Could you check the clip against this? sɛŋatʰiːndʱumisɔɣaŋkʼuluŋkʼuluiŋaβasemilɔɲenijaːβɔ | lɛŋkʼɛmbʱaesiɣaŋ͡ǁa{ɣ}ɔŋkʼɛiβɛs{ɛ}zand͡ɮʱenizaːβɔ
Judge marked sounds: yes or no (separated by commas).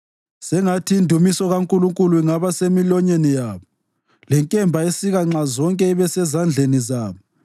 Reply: no, yes